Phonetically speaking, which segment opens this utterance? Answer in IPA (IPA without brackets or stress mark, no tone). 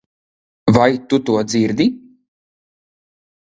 v